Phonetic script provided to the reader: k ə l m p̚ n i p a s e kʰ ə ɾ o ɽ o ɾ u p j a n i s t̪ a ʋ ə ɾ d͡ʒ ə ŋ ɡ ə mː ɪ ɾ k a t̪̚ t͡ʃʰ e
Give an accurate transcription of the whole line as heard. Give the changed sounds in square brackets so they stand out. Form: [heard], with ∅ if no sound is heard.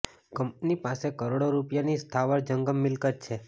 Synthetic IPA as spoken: k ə [∅] m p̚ n i p a s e [k] ə ɾ o ɽ o ɾ u p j a n i s [t̪ʰ] a ʋ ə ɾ d͡ʒ ə ŋ ɡ ə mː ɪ [l] k [ə] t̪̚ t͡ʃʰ e